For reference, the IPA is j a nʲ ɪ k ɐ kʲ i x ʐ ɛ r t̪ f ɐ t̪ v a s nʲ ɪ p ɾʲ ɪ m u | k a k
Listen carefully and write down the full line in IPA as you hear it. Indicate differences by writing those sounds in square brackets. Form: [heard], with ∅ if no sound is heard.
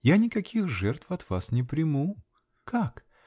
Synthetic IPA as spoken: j a nʲ ɪ k ɐ kʲ i x ʐ ɛ r t̪ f ɐ t̪ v a s nʲ ɪ p ɾʲ ɪ m u | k a k